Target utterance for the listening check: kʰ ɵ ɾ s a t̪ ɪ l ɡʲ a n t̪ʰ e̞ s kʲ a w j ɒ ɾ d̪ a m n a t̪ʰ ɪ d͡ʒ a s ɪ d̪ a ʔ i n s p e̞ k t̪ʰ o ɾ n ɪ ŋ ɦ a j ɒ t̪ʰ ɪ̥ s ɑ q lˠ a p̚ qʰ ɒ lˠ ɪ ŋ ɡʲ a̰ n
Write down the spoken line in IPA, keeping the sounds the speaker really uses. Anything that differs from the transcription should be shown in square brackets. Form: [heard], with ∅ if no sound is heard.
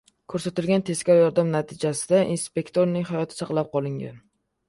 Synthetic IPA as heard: kʰ ɵ ɾ s a t̪ ɪ l ɡʲ a n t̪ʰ e̞ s kʲ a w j ɒ ɾ d̪ a m n a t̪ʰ ɪ d͡ʒ a s ɪ d̪ a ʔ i n s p e̞ k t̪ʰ o ɾ n ɪ ŋ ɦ a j ɒ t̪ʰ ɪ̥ s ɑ q lˠ a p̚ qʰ ɒ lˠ ɪ ŋ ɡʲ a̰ n